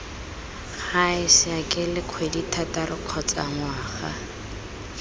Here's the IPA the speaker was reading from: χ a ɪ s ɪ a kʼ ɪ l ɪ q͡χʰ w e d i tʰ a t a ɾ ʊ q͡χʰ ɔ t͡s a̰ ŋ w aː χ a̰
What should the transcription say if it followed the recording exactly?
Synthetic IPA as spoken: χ a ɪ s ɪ a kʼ ɪ l ɪ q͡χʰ w e d i tʰ a t a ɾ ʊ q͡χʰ ɔ t͡s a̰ ŋ w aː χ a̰